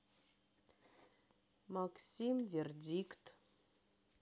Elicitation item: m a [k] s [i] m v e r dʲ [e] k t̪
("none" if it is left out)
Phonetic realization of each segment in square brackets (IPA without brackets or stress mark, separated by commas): k, i, i